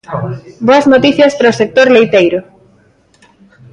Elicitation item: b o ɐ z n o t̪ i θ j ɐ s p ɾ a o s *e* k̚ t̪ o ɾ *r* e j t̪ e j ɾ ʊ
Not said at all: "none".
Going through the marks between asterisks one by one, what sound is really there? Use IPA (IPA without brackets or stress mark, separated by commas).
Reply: e, l